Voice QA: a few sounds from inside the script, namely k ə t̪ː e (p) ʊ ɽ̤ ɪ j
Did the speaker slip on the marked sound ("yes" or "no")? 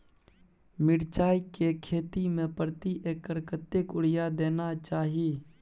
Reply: yes